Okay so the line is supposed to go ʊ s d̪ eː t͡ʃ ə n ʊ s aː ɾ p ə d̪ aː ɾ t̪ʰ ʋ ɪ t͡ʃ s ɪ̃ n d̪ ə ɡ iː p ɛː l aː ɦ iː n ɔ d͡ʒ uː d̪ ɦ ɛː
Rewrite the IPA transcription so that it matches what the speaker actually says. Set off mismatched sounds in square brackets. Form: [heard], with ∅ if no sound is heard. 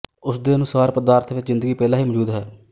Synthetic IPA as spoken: ʊ s d̪ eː [∅] ə n ʊ s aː ɾ p ə d̪ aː ɾ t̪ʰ ʋ ɪ t͡ʃ [z] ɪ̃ n d̪ ə ɡ iː p ɛː l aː ɦ iː [m] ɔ d͡ʒ uː d̪ ɦ ɛː